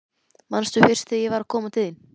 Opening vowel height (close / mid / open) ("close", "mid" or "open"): open